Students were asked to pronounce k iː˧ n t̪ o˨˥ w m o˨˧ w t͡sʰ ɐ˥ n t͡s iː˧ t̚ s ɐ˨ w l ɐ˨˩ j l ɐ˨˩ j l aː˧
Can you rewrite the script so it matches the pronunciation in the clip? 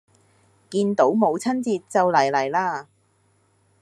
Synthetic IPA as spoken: k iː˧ n t̪ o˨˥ w m o˨˧ w t͡sʰ ɐ˥ n t͡s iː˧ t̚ t͡s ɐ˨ w l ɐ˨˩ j l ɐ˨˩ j l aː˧